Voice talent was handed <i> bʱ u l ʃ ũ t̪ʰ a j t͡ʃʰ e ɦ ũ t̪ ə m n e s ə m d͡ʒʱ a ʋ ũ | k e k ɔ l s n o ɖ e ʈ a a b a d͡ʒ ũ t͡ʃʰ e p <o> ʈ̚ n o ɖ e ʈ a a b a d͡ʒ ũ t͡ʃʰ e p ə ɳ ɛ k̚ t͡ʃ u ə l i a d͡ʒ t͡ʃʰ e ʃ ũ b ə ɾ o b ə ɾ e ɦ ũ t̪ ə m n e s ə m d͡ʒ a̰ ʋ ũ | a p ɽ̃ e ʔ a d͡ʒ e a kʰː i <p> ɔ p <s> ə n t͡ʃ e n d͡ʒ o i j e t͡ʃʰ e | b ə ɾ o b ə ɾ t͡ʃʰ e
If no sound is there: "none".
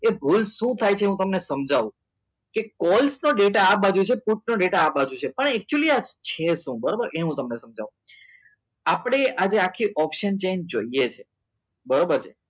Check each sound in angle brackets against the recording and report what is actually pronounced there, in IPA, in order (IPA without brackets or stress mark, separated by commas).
e, u, ʔ, ʃ